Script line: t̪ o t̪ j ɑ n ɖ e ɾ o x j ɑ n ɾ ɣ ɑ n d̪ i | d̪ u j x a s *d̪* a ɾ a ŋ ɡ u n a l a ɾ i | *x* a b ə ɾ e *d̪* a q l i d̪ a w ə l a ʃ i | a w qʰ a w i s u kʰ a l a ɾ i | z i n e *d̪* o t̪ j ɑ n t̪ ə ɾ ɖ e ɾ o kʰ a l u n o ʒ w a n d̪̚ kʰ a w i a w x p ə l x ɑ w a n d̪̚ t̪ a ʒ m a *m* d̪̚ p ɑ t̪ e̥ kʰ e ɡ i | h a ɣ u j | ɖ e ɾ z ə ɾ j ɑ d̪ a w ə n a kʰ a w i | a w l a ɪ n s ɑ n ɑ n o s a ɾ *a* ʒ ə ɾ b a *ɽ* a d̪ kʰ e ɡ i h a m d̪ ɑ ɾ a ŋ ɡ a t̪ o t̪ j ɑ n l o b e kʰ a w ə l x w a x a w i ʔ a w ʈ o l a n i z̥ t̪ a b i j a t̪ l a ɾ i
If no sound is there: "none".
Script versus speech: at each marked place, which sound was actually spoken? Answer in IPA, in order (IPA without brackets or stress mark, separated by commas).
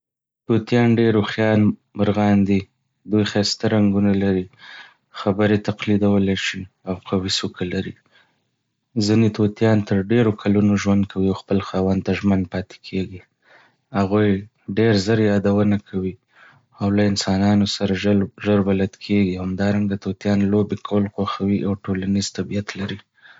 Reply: t̪, x, t̪, t̪, n, a, l